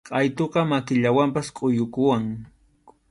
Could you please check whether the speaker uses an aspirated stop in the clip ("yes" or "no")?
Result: no